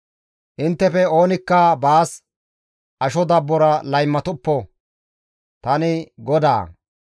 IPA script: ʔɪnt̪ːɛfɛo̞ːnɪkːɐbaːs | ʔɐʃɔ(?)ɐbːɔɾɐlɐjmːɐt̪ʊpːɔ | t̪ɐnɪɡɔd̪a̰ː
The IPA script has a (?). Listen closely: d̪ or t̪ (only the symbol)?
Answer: d̪